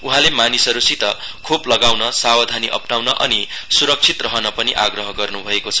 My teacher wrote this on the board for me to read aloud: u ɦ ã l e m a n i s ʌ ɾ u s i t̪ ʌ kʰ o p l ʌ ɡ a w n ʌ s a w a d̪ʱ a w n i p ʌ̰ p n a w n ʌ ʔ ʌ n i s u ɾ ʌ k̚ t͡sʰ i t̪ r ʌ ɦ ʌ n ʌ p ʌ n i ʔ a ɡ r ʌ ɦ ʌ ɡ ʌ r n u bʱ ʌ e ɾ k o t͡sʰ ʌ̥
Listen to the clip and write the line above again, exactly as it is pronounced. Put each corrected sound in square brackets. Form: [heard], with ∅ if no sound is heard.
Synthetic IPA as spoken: u ɦ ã l e m a n i s ʌ ɾ u s i t̪ ʌ kʰ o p l ʌ ɡ a w n ʌ s a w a d̪ʱ a [∅] n i [ʔ] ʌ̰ p n a w n ʌ ʔ ʌ n i s u ɾ ʌ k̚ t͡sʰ i t̪ r ʌ ɦ ʌ n ʌ p ʌ n i ʔ a ɡ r ʌ ɦ ʌ ɡ ʌ r n u bʱ ʌ e [∅] k o t͡sʰ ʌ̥